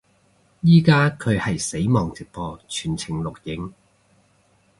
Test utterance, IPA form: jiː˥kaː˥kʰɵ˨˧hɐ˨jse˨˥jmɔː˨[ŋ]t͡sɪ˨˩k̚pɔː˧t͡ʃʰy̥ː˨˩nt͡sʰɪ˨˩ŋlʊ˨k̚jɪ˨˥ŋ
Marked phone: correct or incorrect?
correct